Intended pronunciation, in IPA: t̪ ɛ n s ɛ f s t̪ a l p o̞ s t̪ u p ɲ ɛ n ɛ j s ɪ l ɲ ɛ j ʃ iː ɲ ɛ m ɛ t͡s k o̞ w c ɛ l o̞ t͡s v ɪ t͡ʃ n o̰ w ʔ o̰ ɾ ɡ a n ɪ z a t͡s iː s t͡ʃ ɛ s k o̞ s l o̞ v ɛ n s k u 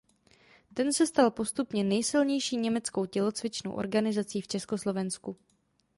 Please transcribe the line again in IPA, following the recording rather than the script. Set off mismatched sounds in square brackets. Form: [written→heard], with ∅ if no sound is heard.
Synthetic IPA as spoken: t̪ ɛ n s ɛ [f→∅] s t̪ a l p o̞ s t̪ u p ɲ ɛ n ɛ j s ɪ l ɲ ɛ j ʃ iː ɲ ɛ m ɛ t͡s k o̞ w c ɛ l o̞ t͡s v ɪ t͡ʃ n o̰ w ʔ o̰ ɾ ɡ a n ɪ z a t͡s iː [s→f] t͡ʃ ɛ s k o̞ s l o̞ v ɛ n s k u

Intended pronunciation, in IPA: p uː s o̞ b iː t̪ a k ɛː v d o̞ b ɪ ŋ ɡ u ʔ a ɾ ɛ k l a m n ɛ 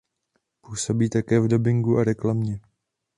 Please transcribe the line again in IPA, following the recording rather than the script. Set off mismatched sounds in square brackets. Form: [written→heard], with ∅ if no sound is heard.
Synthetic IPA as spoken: p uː s o̞ b iː t̪ a k ɛː v d o̞ b ɪ ŋ ɡ u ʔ a ɾ ɛ k l a m [n→ɲ] ɛ

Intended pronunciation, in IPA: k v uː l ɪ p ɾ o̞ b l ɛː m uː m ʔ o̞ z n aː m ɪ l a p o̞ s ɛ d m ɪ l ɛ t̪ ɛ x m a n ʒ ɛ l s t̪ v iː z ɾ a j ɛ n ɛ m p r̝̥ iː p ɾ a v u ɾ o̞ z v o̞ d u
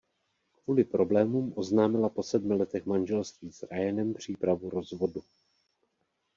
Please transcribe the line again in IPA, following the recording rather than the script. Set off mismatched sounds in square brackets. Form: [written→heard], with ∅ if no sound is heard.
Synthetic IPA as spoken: k v uː l ɪ p ɾ o̞ b l ɛː m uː m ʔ o̞ z n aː m ɪ l a p o̞ s ɛ d m ɪ l ɛ t̪ ɛ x m a n ʒ ɛ l s t̪ v iː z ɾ a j ɛ n ɛ m p r̝̥ iː p ɾ a v u ɾ o̞ z v o̞ d u

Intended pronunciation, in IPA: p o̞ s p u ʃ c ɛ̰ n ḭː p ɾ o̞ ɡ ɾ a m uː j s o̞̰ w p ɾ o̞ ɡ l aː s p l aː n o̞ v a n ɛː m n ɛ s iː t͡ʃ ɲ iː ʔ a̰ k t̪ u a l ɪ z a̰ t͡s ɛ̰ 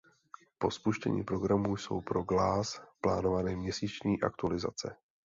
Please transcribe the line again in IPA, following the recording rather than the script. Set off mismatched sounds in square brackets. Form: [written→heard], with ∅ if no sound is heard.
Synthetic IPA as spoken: p o̞ s p u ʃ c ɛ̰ [n→ɲ] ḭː p ɾ o̞ ɡ ɾ a m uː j s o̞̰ w p ɾ o̞ ɡ l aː s p l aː n o̞ v a n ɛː m [n→ɲ] ɛ s iː t͡ʃ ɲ iː ʔ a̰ k t̪ u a l ɪ z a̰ t͡s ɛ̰

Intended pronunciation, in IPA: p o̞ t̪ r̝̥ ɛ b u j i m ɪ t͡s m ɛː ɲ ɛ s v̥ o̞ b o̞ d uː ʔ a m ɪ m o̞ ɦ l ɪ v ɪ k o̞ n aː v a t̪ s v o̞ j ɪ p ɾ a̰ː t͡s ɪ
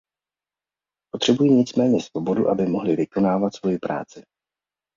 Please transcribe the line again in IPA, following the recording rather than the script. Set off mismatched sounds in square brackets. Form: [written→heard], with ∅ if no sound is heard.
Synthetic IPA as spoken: p o̞ t̪ r̝̥ ɛ b u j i [m→ɲ] ɪ t͡s m ɛː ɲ ɛ s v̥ o̞ b o̞ d [uː→u] ʔ a [m→b] ɪ m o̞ ɦ l ɪ v ɪ k o̞ n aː v a t̪ s v o̞ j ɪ p ɾ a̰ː t͡s ɪ

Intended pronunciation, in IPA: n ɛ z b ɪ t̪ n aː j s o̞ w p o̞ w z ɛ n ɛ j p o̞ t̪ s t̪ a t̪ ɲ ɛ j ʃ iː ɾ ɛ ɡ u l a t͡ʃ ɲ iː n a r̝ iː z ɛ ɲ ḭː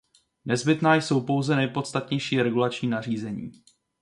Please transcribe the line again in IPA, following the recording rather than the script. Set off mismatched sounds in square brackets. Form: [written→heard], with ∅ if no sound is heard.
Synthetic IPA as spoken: n ɛ z b ɪ t̪ n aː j s o̞ w p o̞ w z ɛ n ɛ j p o̞ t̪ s t̪ a t̪ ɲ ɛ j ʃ iː ɾ ɛ ɡ u l a t͡ʃ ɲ iː n a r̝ iː z ɛ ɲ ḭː

